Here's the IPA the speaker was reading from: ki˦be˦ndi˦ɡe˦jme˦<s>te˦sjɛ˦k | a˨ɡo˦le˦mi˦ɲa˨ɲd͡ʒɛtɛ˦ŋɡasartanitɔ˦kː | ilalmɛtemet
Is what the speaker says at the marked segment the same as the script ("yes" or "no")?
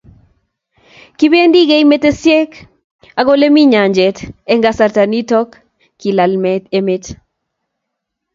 no